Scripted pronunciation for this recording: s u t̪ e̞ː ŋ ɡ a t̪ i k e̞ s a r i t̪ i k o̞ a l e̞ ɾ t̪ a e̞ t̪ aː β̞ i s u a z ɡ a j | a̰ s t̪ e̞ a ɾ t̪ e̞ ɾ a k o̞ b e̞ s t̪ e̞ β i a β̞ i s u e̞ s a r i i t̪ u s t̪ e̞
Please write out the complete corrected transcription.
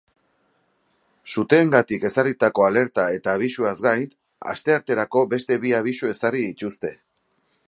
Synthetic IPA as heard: s u t̪ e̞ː ŋ ɡ a t̪ i k e̞ s a r i t̪ a k o̞ a l e̞ ɾ t̪ a e̞ t̪ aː β̞ i s u a z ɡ a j | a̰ s t̪ e̞ a ɾ t̪ e̞ ɾ a k o̞ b e̞ s t̪ e̞ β i a β̞ i s u e̞ s a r i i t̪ u s t̪ e̞